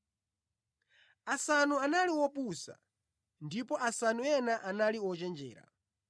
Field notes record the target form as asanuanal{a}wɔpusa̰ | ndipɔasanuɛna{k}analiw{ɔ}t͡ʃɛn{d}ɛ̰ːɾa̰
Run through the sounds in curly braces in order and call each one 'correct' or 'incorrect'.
incorrect: i, incorrect: ʔ, correct, incorrect: d͡ʒ

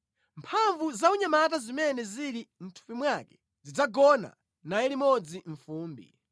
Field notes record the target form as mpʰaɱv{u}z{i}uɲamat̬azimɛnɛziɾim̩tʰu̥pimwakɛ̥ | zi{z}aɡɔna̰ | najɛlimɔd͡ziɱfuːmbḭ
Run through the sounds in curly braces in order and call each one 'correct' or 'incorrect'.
correct, incorrect: a, incorrect: d͡z

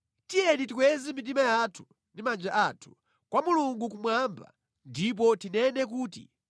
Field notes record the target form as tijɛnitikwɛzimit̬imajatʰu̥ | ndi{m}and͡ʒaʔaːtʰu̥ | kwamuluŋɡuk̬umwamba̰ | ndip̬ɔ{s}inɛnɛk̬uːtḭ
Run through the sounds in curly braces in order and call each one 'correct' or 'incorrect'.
correct, incorrect: t

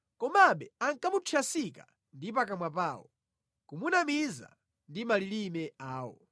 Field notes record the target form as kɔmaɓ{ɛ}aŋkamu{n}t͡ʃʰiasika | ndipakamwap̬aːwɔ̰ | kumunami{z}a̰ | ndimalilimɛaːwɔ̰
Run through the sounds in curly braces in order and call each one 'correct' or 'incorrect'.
correct, incorrect: none, correct

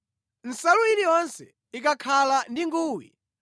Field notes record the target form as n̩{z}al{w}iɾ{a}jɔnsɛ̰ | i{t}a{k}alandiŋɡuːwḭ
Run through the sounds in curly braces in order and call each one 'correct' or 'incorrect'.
incorrect: s, incorrect: u, incorrect: i, incorrect: k, incorrect: kʰ

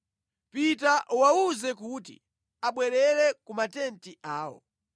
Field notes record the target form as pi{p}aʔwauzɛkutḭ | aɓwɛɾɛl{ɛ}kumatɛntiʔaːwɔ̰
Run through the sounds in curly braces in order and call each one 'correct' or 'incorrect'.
incorrect: t, correct

